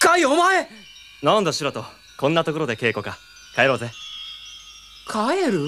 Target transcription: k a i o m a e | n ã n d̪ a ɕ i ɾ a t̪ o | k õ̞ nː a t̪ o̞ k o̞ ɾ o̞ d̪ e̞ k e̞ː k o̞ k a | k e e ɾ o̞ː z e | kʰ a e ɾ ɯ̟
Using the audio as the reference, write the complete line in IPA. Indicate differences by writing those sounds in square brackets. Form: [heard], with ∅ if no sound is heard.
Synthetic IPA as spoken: k a i o m a e | n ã n d̪ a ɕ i ɾ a t̪ o | k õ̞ nː a t̪ o̞ k o̞ ɾ o̞ d̪ e̞ k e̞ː k o̞ k a | k [a] e ɾ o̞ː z e | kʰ a e ɾ ɯ̟